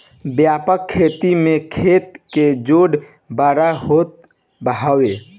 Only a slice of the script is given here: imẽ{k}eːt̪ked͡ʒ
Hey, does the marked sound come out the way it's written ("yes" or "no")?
no